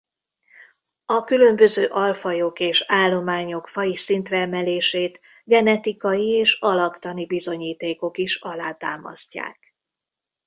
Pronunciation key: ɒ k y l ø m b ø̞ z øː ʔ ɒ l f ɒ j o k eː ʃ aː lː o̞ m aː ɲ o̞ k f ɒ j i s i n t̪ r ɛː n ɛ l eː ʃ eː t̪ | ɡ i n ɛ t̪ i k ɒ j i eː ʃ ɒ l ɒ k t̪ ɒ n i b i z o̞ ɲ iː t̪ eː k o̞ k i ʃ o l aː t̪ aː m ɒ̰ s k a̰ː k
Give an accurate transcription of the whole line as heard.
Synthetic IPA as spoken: ɒ k y l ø m b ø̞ z øː ʔ ɒ l f ɒ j o k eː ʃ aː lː o̞ m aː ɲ o̞ k f ɒ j i s i n t̪ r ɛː m ɛ l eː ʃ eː t̪ | ɡ ɛ n ɛ t̪ i k ɒ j i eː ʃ ɒ l ɒ k t̪ ɒ n i b i z o̞ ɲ iː t̪ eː k o̞ k i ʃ ɒ l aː t̪ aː m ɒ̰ s c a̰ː k